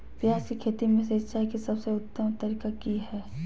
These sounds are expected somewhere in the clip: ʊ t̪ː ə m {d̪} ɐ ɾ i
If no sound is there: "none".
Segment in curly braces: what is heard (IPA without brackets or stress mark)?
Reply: t̪